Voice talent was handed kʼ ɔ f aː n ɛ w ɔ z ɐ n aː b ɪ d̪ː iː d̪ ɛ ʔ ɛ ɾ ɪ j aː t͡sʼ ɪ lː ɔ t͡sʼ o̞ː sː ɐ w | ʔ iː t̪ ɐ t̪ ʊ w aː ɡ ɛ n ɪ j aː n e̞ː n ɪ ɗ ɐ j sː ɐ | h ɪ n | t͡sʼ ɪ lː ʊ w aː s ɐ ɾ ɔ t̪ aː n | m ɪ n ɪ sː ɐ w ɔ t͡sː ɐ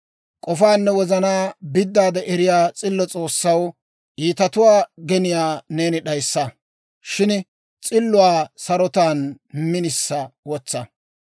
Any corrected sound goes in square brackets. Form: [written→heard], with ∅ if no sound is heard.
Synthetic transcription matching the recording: kʼ ɔ f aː [n→nː] ɛ w ɔ z ɐ n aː b ɪ d̪ː [iː→aː] d̪ ɛ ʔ ɛ ɾ ɪ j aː t͡sʼ ɪ lː ɔ t͡sʼ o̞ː sː ɐ w | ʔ iː t̪ ɐ t̪ ʊ w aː ɡ ɛ n ɪ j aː n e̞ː n ɪ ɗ ɐ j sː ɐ | [h→ʃ] ɪ n | t͡sʼ ɪ lː ʊ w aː s ɐ ɾ ɔ t̪ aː n | m ɪ n ɪ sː ɐ w ɔ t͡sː ɐ

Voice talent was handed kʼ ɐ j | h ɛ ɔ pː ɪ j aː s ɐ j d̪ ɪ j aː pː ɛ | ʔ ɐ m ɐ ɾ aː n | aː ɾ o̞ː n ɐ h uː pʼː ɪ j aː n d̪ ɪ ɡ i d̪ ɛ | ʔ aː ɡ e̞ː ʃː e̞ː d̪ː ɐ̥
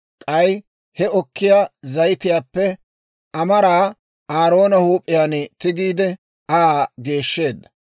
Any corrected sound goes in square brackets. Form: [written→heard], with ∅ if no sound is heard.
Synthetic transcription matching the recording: kʼ ɐ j | h ɛ ɔ [pː→kː] ɪ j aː [s→z] ɐ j [d̪→t̪] ɪ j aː pː ɛ | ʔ ɐ m ɐ ɾ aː [n→∅] | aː ɾ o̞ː n ɐ h uː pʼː ɪ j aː n [d̪→t̪] ɪ ɡ [i→iː] d̪ ɛ | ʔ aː ɡ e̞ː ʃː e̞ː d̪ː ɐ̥

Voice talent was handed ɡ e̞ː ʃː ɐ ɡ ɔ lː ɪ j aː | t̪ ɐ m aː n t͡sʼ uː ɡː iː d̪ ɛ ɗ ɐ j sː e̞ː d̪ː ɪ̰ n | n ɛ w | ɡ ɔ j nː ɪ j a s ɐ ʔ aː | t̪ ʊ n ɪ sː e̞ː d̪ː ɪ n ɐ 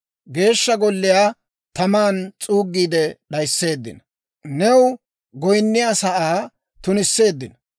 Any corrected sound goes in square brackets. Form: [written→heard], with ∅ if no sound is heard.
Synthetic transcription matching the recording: ɡ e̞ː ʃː ɐ ɡ ɔ lː ɪ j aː | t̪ ɐ m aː n t͡sʼ uː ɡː iː d̪ ɛ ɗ ɐ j sː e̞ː d̪ː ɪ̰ n | n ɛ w | ɡ ɔ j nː ɪ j a s ɐ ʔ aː | t̪ ʊ n ɪ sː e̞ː d̪ː ɪ n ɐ

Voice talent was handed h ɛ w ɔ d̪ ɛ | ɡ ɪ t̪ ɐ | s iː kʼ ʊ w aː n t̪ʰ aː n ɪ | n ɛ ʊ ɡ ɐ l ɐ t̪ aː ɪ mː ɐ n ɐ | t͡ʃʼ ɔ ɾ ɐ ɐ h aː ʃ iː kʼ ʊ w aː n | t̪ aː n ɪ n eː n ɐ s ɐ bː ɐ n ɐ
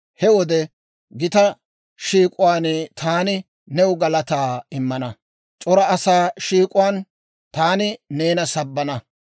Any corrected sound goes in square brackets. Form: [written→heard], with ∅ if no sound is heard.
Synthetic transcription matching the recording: h ɛ w ɔ d̪ ɛ | ɡ ɪ t̪ ɐ | [s→ʃ] iː kʼ ʊ w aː n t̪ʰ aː n ɪ | n ɛ ʊ ɡ ɐ l ɐ t̪ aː ɪ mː ɐ n ɐ | t͡ʃʼ ɔ ɾ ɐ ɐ [h→s] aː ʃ iː kʼ ʊ w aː n | t̪ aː n ɪ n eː n ɐ s ɐ bː ɐ n ɐ

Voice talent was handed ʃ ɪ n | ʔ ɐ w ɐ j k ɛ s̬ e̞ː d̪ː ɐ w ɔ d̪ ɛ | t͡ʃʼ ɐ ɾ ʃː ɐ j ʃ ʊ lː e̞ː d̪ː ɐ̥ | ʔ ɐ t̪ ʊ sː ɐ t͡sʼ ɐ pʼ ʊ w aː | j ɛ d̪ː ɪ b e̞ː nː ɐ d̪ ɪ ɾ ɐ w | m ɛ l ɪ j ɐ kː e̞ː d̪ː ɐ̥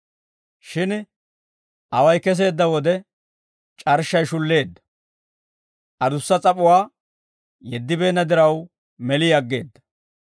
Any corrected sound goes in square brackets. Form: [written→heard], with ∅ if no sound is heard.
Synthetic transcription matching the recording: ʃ ɪ n | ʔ ɐ w ɐ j k ɛ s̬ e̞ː d̪ː ɐ w ɔ d̪ ɛ | t͡ʃʼ ɐ ɾ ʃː ɐ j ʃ ʊ lː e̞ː d̪ː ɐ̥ | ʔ ɐ [t̪→d̪] ʊ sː ɐ t͡sʼ ɐ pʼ ʊ w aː | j ɛ d̪ː ɪ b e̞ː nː ɐ d̪ ɪ ɾ ɐ w | m ɛ l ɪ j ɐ [kː→ɡː] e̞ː d̪ː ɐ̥

